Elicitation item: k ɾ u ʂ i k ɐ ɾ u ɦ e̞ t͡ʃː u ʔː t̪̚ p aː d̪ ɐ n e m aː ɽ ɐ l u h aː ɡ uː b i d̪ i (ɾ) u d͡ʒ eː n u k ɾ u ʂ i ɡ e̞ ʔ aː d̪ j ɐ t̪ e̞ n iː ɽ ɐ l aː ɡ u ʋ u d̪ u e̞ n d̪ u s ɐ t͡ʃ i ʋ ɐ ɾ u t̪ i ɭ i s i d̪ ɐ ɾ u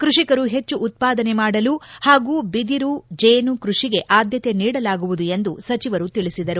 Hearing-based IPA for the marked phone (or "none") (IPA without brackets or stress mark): ɾ